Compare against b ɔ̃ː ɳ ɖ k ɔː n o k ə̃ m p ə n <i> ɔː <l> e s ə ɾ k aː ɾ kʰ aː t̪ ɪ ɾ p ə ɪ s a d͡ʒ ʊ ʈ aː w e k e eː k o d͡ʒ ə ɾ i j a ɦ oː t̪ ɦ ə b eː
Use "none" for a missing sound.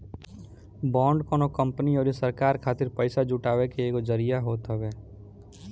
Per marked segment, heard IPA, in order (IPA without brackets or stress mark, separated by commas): i, ɾ